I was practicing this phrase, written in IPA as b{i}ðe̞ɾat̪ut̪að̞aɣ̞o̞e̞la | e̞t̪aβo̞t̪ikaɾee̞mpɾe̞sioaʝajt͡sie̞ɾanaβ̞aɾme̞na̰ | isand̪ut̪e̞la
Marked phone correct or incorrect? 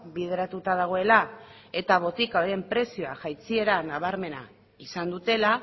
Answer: correct